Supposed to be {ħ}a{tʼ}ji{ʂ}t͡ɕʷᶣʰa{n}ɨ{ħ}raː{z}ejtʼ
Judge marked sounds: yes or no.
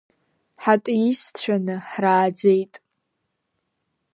yes, yes, no, yes, yes, no

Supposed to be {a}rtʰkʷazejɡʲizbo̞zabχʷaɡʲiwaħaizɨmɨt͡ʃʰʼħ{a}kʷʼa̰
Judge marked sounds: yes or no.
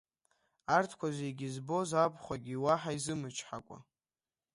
yes, yes

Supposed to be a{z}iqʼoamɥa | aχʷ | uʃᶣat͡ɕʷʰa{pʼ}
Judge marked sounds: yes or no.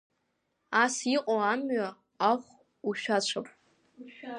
no, yes

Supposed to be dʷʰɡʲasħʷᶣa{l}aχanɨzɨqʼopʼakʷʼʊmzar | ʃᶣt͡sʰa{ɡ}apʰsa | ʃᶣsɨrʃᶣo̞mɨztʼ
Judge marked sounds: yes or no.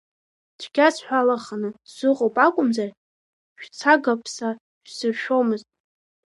yes, yes

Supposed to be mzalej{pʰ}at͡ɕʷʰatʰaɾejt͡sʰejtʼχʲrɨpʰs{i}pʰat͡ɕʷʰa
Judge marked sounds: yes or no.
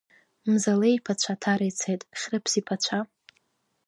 yes, yes

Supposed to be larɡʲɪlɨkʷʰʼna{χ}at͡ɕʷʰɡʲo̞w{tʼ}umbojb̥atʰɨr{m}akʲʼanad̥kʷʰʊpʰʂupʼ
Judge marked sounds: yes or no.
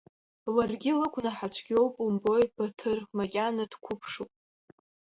no, no, yes

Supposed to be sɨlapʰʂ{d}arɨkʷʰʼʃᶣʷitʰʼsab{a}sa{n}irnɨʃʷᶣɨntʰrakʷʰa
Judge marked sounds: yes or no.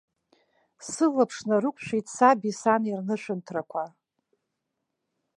no, no, yes

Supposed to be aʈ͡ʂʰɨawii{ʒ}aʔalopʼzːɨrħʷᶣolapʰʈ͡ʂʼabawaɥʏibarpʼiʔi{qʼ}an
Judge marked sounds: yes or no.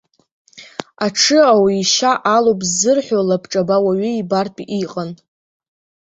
no, yes

